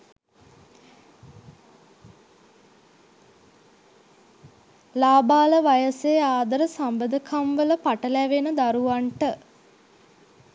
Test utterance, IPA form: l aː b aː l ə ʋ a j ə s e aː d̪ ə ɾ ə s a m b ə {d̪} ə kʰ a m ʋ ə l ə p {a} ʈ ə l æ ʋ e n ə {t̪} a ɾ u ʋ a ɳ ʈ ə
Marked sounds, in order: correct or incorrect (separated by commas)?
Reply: correct, correct, incorrect